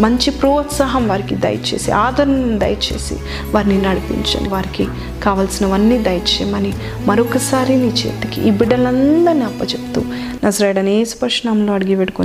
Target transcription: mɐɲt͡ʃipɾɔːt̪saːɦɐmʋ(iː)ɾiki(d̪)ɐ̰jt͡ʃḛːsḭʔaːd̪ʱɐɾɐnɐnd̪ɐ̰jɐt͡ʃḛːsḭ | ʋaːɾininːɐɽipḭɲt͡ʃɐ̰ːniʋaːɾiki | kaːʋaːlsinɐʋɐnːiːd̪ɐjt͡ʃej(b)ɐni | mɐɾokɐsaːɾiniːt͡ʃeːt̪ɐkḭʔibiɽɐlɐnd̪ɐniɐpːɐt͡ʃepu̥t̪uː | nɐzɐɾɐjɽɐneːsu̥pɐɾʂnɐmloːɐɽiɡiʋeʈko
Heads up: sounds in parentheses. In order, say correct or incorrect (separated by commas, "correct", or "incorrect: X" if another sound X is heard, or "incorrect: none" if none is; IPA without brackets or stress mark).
incorrect: aː, correct, incorrect: m